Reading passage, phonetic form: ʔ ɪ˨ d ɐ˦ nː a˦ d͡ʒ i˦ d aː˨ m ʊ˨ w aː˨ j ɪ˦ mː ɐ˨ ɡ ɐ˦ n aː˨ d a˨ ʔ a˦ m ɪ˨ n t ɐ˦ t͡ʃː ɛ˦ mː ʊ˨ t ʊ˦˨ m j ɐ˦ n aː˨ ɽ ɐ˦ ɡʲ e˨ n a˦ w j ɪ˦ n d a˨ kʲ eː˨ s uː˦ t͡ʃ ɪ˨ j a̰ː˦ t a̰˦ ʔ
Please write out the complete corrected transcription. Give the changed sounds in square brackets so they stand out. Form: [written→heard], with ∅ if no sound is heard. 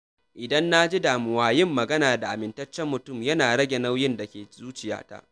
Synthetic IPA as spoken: ʔ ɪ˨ d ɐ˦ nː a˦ d͡ʒ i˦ d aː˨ m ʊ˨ w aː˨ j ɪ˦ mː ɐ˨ ɡ ɐ˦ n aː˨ d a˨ ʔ [a˦→a˨] m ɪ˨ n t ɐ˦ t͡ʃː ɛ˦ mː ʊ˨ t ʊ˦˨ m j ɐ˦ n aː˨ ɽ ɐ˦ ɡʲ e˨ n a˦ w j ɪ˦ n d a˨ kʲ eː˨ [s→z] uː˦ t͡ʃ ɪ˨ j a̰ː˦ t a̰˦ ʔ